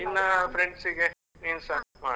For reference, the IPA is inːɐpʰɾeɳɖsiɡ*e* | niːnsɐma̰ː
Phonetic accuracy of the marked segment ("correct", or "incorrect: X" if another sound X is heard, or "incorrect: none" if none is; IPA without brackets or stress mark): correct